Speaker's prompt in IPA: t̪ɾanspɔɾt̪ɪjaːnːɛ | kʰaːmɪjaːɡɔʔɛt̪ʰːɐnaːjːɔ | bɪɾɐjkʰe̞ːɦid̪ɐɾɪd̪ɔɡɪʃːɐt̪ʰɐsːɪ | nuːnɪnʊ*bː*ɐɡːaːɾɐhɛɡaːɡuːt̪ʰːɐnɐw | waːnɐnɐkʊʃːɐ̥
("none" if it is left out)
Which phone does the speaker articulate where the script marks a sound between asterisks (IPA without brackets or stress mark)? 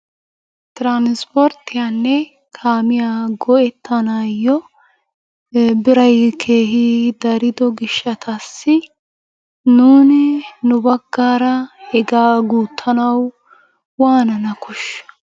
b